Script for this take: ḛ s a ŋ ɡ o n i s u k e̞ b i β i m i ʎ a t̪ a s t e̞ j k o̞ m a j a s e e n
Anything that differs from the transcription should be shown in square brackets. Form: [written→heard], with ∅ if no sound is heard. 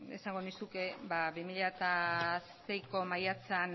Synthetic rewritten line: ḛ s a ŋ ɡ o n i s u k e̞ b [i→a] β i m i ʎ a t̪ a s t e̞ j k o̞ m a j a [s→t͡s] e [e→a] n